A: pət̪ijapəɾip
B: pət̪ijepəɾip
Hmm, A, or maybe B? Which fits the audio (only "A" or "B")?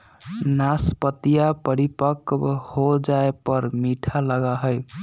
A